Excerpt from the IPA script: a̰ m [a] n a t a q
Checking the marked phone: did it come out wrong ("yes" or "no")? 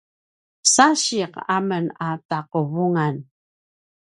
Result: yes